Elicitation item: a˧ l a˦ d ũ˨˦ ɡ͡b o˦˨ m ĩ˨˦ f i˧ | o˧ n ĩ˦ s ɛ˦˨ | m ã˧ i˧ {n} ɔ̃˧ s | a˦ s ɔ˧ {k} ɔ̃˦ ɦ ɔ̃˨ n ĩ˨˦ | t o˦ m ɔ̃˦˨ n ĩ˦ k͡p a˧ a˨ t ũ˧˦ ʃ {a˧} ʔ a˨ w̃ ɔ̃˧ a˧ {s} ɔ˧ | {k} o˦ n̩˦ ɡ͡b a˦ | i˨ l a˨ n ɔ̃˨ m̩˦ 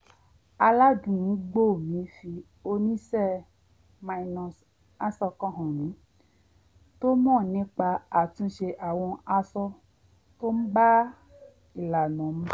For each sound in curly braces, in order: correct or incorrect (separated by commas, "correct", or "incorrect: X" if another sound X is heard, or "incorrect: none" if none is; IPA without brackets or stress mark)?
correct, correct, incorrect: e˧, correct, incorrect: t